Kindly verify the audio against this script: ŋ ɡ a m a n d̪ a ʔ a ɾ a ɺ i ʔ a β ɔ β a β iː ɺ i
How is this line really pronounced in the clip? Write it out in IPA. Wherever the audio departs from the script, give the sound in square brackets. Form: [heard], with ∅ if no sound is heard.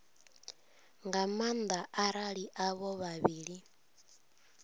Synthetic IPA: ŋ ɡ a m a n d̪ a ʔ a ɾ a ɺ i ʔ a β ɔ β a β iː ɺ i